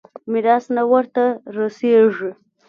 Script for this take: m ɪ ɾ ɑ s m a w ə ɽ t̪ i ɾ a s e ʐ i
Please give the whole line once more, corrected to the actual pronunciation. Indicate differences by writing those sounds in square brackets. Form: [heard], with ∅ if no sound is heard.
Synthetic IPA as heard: m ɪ ɾ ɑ s [n] a w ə [ɾ] t̪ [a] ɾ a s e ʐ i

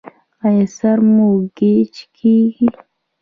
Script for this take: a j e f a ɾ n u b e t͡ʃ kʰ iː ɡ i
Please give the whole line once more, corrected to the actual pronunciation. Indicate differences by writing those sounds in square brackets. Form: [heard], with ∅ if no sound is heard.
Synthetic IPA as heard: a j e [s] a ɾ [m] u [ɡ] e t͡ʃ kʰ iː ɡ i

